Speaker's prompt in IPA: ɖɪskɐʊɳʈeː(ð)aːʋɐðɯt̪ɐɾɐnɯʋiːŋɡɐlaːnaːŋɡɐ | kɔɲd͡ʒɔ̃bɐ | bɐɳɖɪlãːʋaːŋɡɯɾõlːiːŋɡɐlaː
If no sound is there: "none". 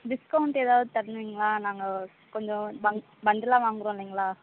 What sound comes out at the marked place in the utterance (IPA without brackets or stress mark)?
ð